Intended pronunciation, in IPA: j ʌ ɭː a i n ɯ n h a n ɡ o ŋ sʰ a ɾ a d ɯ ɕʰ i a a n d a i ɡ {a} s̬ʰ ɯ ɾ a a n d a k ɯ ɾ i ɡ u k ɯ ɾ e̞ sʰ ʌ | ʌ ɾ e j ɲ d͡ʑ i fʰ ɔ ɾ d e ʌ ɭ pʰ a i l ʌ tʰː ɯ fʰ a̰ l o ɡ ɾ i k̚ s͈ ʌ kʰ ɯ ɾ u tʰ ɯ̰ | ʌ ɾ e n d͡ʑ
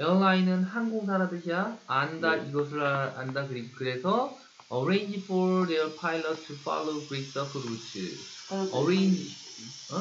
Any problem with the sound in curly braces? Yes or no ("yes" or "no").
yes